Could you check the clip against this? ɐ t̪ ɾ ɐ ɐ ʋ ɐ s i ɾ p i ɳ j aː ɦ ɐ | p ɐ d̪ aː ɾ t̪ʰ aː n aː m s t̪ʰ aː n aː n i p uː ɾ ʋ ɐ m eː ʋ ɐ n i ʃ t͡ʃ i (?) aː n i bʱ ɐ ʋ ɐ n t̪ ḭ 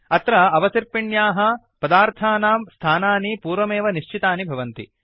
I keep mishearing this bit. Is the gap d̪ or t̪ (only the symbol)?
t̪